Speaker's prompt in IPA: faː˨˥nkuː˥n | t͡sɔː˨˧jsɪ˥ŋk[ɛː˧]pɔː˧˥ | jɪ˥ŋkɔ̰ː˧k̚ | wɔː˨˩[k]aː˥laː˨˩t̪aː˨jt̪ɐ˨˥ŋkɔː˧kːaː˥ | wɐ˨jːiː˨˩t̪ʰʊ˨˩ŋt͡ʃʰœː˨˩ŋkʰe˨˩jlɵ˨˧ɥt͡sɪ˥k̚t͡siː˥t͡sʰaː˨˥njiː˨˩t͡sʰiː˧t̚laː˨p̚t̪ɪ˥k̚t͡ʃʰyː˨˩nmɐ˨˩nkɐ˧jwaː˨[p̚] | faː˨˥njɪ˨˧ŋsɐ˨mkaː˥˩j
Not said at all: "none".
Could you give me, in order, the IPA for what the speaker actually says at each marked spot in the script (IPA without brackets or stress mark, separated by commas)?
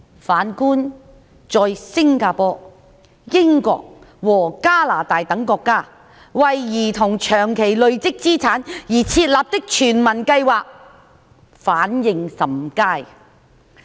aː˧, k, k̚